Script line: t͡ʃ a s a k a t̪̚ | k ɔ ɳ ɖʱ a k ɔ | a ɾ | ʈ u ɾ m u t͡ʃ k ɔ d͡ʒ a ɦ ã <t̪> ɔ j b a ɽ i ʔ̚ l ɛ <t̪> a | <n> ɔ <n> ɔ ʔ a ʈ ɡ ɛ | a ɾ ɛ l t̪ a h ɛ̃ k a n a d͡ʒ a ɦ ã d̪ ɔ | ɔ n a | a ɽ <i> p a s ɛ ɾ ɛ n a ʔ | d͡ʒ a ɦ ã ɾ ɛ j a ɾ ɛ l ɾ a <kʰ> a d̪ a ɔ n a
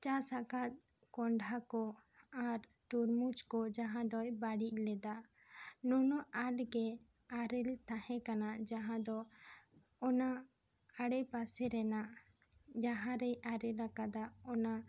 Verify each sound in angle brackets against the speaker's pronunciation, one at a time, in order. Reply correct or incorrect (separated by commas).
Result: incorrect, incorrect, correct, correct, incorrect, incorrect